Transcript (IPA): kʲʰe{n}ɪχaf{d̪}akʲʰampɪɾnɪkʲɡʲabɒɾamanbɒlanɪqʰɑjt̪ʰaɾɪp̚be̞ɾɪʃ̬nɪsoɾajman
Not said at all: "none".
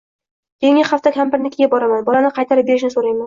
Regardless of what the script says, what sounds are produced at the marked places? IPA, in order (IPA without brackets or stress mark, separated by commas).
ŋ, t̪